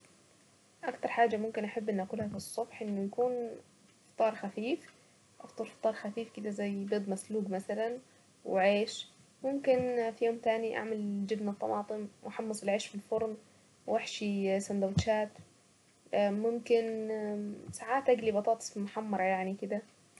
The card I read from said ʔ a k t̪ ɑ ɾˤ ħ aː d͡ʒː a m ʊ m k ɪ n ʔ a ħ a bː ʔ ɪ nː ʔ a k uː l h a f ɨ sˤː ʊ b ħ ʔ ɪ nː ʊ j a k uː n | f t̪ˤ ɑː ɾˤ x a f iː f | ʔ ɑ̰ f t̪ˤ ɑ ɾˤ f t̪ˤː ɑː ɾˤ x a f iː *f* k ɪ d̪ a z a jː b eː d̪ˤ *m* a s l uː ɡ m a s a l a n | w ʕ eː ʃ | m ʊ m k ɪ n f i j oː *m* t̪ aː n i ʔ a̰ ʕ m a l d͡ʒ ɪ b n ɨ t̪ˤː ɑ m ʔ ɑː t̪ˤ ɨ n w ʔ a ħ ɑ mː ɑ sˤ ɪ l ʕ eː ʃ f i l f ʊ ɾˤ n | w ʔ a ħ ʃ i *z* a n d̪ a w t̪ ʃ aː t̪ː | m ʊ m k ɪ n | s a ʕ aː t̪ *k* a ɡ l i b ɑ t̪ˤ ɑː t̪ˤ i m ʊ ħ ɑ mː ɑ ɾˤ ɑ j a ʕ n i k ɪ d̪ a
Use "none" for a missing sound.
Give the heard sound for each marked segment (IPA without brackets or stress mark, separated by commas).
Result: f, m, m, s, ʔ